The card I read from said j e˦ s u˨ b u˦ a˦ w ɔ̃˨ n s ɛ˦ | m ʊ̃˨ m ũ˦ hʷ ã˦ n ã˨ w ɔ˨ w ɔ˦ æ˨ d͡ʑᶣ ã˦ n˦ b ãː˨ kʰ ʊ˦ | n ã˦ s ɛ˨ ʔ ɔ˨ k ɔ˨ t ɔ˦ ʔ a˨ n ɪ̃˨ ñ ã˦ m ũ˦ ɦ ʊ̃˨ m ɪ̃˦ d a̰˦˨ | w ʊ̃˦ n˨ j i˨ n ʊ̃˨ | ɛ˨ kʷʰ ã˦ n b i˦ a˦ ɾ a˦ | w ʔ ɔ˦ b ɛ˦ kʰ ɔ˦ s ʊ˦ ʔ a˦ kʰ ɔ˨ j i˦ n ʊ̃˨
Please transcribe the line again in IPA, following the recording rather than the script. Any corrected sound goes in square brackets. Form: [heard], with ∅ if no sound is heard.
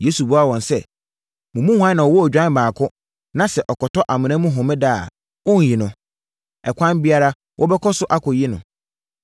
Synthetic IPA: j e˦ s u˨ b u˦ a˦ w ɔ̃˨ n s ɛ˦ | m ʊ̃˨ m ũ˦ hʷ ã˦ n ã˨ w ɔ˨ w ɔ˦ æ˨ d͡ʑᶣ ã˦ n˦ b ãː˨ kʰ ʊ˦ | n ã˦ s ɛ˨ ʔ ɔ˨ k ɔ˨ t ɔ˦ ʔ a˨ [m] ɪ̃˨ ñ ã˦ m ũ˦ ɦ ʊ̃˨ m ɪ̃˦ d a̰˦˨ | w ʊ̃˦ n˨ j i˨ n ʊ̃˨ | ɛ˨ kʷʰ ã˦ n b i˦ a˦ ɾ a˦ | w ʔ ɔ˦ b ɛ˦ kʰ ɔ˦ s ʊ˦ ʔ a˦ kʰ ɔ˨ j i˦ n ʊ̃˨